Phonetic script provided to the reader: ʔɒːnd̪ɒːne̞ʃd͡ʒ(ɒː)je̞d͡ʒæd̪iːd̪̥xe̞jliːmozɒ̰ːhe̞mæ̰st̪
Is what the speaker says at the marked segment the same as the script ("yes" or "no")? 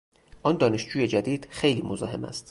no